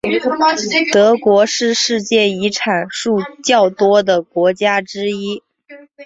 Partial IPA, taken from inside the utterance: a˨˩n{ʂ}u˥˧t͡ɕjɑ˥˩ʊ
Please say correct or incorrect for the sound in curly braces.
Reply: correct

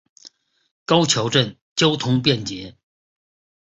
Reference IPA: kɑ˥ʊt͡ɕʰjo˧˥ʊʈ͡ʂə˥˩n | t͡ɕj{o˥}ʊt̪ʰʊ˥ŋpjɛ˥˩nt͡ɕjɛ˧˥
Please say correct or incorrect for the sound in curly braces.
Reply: correct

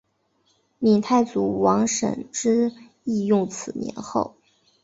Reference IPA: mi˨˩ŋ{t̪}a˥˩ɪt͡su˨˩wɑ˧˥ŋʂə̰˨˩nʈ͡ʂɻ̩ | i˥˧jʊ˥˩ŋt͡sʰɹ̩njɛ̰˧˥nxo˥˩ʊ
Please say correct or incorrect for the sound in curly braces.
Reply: incorrect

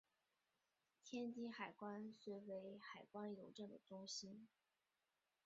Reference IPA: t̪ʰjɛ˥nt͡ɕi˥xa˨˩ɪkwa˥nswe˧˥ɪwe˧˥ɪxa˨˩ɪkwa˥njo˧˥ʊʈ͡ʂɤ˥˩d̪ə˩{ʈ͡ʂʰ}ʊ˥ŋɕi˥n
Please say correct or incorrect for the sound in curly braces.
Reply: incorrect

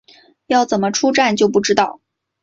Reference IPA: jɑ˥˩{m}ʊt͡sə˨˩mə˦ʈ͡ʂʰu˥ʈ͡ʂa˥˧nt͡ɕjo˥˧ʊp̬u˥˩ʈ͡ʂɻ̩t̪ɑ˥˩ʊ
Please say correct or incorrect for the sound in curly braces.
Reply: incorrect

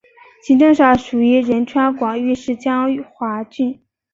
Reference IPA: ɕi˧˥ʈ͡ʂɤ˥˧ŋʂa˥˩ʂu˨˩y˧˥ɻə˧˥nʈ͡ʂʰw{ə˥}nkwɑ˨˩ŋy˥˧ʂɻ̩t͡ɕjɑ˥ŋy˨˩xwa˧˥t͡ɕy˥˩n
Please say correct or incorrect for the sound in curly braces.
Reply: incorrect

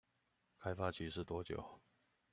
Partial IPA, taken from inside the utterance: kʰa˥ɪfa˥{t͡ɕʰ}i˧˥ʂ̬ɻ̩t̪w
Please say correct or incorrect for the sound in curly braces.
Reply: correct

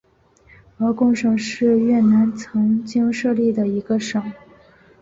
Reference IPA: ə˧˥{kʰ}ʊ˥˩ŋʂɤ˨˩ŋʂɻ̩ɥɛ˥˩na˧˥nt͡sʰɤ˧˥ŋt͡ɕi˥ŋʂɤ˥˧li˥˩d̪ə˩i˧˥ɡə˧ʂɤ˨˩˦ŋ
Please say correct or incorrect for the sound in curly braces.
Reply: incorrect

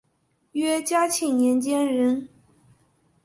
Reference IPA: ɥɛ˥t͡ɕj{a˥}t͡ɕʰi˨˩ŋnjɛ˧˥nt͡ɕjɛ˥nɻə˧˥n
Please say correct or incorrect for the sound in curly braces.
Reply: correct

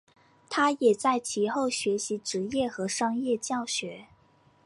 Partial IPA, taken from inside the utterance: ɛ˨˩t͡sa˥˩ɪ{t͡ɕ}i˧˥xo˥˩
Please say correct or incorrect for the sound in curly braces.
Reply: incorrect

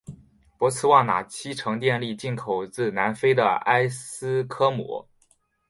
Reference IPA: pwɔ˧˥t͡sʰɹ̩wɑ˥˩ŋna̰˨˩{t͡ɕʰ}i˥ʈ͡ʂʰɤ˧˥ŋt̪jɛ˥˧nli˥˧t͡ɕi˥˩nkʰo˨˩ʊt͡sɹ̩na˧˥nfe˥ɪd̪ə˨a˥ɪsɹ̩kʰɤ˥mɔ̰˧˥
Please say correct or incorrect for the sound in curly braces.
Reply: correct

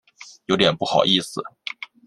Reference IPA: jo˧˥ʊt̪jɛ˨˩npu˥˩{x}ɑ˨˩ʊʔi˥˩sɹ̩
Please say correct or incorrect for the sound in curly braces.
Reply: correct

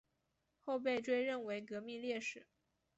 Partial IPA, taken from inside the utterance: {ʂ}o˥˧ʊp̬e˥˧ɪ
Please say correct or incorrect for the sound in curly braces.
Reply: incorrect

